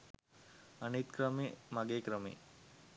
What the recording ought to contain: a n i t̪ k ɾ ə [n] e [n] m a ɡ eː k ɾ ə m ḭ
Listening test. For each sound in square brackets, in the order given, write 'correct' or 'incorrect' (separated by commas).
incorrect, incorrect